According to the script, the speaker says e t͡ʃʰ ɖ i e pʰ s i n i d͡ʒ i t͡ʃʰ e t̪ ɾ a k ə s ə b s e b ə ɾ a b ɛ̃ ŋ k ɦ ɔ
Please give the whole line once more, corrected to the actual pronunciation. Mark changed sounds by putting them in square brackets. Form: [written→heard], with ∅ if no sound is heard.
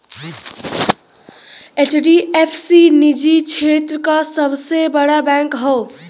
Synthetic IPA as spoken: e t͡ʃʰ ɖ i e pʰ s i n i d͡ʒ i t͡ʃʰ e t̪ ɾ [a→ə] k [ə→a] s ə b s e b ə [ɾ→ɽ] a b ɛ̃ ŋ k ɦ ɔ